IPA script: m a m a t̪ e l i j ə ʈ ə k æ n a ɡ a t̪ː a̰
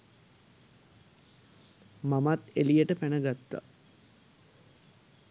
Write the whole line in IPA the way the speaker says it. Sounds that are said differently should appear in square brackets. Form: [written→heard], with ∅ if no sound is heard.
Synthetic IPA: m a m a t̪ e l i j ə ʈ ə [k→p] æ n [a→ə] ɡ a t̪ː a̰